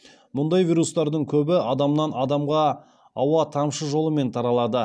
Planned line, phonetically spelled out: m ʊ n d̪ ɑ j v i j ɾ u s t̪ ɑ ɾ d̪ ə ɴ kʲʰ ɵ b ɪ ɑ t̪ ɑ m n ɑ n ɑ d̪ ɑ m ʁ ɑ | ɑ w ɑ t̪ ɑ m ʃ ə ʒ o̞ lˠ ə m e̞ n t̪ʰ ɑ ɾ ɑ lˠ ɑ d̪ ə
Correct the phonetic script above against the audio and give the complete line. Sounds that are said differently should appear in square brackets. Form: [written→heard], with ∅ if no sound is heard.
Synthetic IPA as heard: m ʊ n d̪ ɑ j v i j ɾ u s t̪ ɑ ɾ d̪ ə ɴ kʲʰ ɵ b ɪ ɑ [t̪→d̪] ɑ m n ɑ n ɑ d̪ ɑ m ʁ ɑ | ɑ w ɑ [t̪→t̪ʰ] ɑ m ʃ ə ʒ o̞ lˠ ə m e̞ n t̪ʰ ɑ ɾ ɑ lˠ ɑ d̪ ə